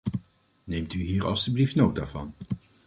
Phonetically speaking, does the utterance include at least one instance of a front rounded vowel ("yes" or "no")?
yes